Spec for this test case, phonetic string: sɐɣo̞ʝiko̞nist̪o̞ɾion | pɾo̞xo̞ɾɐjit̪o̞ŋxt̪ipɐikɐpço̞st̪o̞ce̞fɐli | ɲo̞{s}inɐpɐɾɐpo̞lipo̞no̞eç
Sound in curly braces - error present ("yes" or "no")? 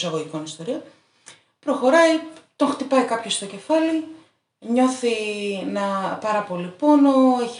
yes